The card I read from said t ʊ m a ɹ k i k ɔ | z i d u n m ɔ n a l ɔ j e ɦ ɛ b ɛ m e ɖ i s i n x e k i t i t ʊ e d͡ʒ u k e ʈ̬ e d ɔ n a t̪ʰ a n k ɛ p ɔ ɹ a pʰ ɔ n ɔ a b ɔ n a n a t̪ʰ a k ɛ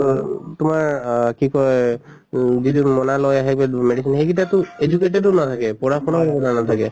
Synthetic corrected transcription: t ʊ m a ɹ k i k ɔ | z i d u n m ɔ n a l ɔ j a ɦ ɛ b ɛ m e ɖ i s i n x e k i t a t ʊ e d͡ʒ u k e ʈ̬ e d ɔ n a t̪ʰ a k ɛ p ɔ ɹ a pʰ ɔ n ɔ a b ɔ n a n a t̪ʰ a k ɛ